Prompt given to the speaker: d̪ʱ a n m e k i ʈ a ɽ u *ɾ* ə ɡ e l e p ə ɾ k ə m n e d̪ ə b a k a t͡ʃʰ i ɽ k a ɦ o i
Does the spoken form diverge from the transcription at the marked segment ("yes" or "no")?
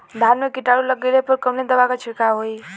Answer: yes